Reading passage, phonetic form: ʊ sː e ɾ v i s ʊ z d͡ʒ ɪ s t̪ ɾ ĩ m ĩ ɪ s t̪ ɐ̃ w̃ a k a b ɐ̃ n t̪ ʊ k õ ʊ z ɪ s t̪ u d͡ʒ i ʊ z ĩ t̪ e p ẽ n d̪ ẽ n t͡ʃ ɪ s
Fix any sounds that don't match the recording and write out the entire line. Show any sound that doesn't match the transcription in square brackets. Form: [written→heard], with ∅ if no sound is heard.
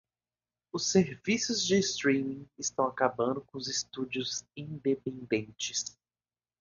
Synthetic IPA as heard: ʊ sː e ɾ v i s ʊ z d͡ʒ ɪ s t̪ ɾ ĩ m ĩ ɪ s t̪ ɐ̃ w̃ a k a b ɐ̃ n [t̪→d̪] ʊ k õ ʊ z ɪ s t̪ u d͡ʒ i ʊ z ĩ [t̪→d̪] e p ẽ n d̪ ẽ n t͡ʃ ɪ s